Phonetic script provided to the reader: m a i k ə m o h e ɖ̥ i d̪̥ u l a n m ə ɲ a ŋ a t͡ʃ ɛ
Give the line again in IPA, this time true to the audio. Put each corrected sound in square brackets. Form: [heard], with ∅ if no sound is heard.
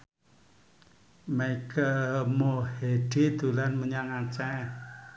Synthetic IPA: m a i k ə m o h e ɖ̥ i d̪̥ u l a n m ə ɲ a ŋ a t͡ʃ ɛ